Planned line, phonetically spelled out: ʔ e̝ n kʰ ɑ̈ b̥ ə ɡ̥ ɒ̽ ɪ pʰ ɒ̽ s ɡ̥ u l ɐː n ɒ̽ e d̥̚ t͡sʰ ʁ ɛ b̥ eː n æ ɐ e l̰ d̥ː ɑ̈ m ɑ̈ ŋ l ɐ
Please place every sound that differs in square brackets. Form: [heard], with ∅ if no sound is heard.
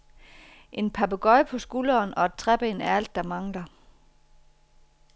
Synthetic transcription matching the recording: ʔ e̝ n [pʰ] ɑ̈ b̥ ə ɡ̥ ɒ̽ ɪ pʰ ɒ̽ s ɡ̥ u l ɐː n ɒ̽ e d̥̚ t͡sʰ ʁ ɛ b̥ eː n æ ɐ [æ] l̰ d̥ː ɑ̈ m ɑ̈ ŋ l ɐ

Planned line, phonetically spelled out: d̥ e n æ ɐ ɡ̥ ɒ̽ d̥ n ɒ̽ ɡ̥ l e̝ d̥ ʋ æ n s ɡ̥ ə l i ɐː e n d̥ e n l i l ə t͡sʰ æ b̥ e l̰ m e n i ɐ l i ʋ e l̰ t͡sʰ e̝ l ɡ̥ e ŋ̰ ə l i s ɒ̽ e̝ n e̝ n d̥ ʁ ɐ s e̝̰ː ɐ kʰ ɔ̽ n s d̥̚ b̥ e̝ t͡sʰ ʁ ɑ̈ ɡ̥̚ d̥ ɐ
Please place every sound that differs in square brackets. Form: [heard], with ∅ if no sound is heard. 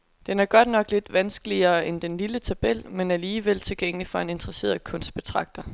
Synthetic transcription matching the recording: d̥ e n æ ɐ ɡ̥ ɒ̽ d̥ n ɒ̽ ɡ̥ l e̝ d̥ ʋ æ n s ɡ̥ ə l i ɐː e n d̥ e n l i l ə t͡sʰ æ b̥ e l̰ m e n [æ] ɐ l [iː] ʋ e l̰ t͡sʰ e̝ l ɡ̥ e ŋ̰ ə l i [f] ɒ̽ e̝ n e̝ n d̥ ʁ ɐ s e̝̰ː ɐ kʰ ɔ̽ n s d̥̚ b̥ e̝ t͡sʰ ʁ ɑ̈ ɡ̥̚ d̥ ɐ

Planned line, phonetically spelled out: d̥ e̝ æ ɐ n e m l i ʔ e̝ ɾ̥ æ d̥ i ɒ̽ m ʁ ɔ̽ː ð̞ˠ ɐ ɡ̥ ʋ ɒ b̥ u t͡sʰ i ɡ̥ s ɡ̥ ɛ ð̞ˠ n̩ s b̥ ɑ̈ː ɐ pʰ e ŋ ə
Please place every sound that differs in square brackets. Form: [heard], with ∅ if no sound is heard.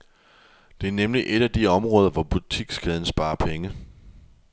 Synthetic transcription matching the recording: d̥ e̝ æ ɐ n e m l i ʔ e̝ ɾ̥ æ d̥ i ɒ̽ m ʁ ɔ̽ː ð̞ˠ ɐ [∅] ʋ ɒ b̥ u t͡sʰ i ɡ̥ s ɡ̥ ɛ ð̞ˠ n̩ s b̥ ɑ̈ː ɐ pʰ e ŋ ə

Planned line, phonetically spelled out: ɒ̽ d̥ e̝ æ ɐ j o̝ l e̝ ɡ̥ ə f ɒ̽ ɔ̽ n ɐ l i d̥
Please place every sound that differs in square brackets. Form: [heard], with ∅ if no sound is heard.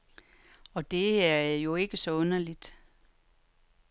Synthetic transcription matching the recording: ɒ̽ d̥ e̝ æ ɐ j o̝ [∅] e̝ ɡ̥ ə [s] ɒ̽ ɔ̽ n ɐ l i d̥

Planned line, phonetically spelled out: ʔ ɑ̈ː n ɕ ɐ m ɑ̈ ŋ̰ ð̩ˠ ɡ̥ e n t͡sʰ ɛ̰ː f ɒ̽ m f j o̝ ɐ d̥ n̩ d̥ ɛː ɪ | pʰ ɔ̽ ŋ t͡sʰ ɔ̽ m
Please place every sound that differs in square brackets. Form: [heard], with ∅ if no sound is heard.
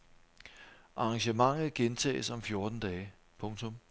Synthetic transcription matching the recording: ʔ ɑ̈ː [ŋ] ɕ [ə] m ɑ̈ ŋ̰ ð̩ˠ ɡ̥ e n t͡sʰ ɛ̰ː [s] ɒ̽ m f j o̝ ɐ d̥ n̩ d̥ ɛː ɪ | pʰ ɔ̽ ŋ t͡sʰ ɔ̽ m

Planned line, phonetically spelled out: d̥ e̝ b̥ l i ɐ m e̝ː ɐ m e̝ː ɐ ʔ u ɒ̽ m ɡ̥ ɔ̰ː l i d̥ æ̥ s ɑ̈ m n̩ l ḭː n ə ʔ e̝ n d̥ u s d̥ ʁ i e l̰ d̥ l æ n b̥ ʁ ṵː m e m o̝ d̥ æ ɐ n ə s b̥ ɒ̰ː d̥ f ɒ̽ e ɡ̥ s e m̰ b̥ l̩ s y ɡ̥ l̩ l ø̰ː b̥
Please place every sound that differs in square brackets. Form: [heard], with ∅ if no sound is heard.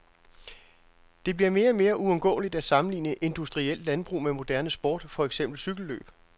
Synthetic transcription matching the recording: d̥ e̝ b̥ l i ɐ m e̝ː ɐ m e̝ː ɐ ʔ u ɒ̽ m ɡ̥ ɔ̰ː l i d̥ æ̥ s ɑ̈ m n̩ l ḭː n ə ʔ e̝ n d̥ u s d̥ ʁ i e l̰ d̥ l æ n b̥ ʁ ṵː m e m o̝ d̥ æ ɐ n ə s b̥ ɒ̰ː d̥ f ɒ̽ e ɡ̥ s e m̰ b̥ l̩ s y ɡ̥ l̩ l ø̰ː b̥

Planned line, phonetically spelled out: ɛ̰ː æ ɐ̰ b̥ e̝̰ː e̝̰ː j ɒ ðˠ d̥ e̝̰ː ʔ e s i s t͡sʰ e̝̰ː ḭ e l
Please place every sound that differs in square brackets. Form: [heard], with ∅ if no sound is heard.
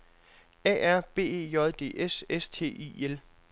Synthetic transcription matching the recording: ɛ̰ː æ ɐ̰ b̥ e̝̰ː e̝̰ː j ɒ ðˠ d̥ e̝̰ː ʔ e s [e] s t͡sʰ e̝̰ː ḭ e l

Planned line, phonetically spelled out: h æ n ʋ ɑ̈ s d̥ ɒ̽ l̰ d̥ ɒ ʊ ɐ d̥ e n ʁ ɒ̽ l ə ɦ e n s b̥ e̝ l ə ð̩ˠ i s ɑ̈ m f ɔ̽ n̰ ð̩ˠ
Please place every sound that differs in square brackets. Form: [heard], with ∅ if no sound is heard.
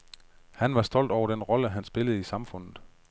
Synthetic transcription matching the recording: h æ n ʋ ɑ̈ s d̥ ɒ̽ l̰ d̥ ɒ ʊ ɐ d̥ e n ʁ ɒ̽ l ə ɦ [æ] n s b̥ e̝ l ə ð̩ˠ i s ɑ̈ m f ɔ̽ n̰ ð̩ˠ

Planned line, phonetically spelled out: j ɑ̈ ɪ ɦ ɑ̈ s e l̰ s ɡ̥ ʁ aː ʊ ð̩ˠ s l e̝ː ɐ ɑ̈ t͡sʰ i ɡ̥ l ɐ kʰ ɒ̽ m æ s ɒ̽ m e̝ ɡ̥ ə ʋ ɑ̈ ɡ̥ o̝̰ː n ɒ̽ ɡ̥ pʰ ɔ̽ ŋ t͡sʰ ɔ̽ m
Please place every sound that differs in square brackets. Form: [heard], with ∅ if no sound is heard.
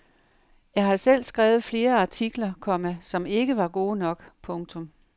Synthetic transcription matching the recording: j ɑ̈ ɪ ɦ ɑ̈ s e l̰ s ɡ̥ ʁ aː ʊ ð̩ˠ [f] l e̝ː ɐ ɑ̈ t͡sʰ i ɡ̥ l ɐ kʰ ɒ̽ m æ s ɒ̽ m e̝ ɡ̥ ə ʋ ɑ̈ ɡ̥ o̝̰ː n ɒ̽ ɡ̥ pʰ ɔ̽ ŋ t͡sʰ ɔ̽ m

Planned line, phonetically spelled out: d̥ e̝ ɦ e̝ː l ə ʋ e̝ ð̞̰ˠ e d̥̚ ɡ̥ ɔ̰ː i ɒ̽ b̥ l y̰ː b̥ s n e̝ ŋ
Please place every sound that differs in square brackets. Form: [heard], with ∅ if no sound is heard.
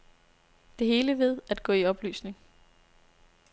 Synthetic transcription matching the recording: d̥ e̝ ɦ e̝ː l ə ʋ e̝ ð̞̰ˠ [æ] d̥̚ ɡ̥ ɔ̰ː i ɒ̽ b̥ l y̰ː [∅] s n e̝ ŋ

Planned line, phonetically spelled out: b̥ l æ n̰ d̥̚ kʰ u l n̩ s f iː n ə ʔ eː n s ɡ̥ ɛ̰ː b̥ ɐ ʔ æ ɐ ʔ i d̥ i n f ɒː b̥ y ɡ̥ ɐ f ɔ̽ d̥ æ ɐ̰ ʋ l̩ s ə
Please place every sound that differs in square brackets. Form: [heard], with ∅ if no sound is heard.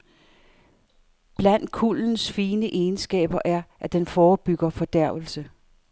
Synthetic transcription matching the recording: b̥ l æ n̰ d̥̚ kʰ u l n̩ s f iː n ə ʔ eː n s ɡ̥ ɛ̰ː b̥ ɐ ʔ æ ɐ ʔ [æ] d̥ [e] n f ɒː b̥ y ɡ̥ ɐ f [ɒ̽] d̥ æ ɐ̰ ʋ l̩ s ə

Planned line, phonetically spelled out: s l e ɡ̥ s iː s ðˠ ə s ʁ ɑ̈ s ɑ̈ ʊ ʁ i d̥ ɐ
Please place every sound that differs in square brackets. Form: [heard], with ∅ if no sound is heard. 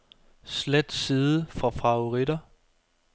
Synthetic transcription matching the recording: s l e [d̥] s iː [∅] ðˠ ə [f] ʁ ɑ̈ [f] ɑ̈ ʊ ʁ i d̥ ɐ

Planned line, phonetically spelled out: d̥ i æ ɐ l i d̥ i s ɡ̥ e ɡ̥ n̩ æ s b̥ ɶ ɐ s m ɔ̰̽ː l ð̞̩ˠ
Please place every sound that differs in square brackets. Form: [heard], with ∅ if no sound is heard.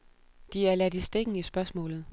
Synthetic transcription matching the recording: d̥ i æ ɐ l [æ] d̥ i s [d̥] e ɡ̥ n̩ [i] s b̥ ɶ ɐ s m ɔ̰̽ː l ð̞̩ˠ

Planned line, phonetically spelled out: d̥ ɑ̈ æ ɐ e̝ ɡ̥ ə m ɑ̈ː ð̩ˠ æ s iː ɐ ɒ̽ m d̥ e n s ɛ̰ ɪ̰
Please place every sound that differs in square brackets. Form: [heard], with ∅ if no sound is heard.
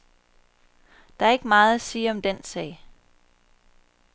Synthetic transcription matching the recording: d̥ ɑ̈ æ ɐ e̝ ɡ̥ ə m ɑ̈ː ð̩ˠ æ s iː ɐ ɒ̽ m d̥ e n s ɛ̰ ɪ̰

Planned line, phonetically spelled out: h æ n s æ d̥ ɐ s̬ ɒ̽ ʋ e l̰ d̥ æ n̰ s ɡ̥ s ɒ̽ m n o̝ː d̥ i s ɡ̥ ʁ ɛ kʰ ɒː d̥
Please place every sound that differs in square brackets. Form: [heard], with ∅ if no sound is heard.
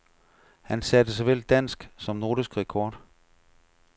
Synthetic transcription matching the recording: h æ n s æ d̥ [ə] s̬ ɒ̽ ʋ e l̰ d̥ æ n̰ s ɡ̥ s ɒ̽ m n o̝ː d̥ i s ɡ̥ ʁ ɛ kʰ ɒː d̥

